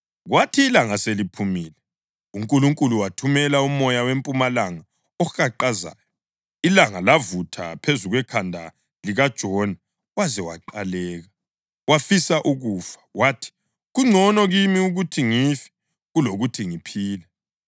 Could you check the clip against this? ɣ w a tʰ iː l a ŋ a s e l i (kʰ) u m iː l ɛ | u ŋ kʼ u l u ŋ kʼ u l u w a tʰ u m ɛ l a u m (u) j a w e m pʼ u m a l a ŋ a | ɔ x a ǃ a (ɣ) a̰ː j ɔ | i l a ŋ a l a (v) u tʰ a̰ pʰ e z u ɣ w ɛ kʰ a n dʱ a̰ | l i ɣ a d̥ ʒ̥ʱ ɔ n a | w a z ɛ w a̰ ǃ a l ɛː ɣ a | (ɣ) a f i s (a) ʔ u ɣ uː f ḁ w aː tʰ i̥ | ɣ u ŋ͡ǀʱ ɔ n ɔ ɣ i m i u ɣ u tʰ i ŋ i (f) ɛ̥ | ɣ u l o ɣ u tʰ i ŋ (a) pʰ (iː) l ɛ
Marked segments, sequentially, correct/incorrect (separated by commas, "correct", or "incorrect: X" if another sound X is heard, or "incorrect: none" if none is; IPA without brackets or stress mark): incorrect: pʰ, incorrect: ɔ, incorrect: z, correct, incorrect: w, correct, correct, incorrect: i, correct